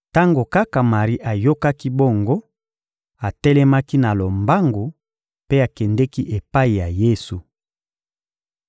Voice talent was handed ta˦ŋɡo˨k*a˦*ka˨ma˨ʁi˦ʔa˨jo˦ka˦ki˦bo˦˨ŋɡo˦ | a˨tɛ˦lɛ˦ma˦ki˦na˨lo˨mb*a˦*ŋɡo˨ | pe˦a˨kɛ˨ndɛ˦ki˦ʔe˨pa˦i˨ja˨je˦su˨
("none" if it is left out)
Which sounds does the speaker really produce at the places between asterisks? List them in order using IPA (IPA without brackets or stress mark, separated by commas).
a˦, a˦